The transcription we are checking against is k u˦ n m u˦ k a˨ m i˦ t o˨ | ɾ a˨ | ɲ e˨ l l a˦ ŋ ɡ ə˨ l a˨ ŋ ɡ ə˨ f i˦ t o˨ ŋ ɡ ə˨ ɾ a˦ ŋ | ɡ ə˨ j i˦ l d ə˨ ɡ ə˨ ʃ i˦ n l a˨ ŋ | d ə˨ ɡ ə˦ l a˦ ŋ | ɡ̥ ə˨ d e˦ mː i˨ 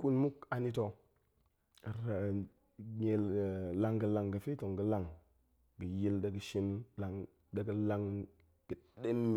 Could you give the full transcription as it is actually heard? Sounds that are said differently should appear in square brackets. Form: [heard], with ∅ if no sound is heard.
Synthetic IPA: k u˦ n m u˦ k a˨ [n] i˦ t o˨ | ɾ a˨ | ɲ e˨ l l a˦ ŋ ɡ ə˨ l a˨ ŋ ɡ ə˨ f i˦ t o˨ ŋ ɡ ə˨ [l] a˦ ŋ | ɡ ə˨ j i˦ l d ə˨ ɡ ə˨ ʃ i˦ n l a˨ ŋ | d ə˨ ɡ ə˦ l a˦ ŋ | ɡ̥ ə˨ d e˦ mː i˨